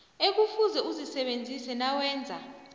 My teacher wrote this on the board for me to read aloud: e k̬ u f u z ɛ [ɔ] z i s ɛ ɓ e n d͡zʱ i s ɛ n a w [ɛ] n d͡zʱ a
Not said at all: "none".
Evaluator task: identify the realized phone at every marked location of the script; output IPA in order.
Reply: u, ɛː

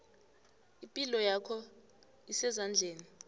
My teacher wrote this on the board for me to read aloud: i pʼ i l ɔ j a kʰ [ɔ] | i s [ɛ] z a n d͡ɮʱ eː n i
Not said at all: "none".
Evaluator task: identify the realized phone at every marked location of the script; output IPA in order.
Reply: ɔ, ɛ

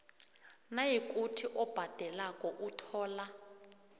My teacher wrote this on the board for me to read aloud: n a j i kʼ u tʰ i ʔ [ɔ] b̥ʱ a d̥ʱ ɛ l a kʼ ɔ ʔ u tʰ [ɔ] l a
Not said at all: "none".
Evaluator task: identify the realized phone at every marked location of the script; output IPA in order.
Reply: ɔ, ɔː

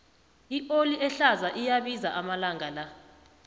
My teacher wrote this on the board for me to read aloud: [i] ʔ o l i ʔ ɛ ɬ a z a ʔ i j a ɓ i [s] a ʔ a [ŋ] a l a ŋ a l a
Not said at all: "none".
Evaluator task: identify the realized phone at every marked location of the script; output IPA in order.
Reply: i, z, m

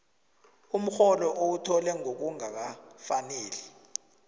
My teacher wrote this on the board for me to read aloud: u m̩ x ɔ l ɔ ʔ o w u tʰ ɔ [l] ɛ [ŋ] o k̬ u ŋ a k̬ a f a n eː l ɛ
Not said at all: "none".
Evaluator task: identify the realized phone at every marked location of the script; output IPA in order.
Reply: l, ŋ

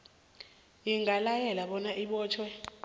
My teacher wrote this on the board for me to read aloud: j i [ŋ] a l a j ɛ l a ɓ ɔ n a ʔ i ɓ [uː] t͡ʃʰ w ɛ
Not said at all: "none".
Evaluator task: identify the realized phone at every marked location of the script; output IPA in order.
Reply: ŋ, ɔː

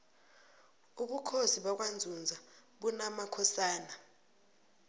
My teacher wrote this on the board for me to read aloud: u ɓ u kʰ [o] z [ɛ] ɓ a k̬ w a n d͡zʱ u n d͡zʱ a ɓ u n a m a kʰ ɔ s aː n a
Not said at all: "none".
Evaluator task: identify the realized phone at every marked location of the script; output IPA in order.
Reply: o, i

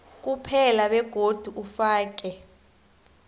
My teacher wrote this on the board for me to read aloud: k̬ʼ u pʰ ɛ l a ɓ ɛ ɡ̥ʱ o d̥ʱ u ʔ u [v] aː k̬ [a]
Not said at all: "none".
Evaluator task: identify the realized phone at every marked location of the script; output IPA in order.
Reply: f, ɛ

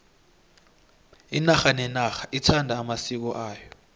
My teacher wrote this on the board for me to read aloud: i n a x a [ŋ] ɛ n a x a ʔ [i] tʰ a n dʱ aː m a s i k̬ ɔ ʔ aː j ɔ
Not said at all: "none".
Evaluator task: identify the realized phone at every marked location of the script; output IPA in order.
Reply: n, i

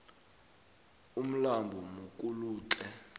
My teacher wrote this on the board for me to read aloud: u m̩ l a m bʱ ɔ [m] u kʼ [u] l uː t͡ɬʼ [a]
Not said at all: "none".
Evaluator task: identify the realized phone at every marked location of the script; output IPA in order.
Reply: m, u, ɛ

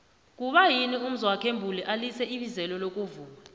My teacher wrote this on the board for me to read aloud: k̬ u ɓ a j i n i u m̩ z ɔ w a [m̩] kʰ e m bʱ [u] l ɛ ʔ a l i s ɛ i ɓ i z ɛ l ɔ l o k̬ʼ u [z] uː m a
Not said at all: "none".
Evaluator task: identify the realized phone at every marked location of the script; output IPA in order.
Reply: none, u, v

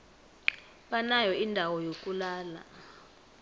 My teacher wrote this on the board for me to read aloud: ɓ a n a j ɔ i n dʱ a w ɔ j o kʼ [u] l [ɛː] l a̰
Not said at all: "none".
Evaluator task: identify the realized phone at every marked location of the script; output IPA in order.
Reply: u, aː

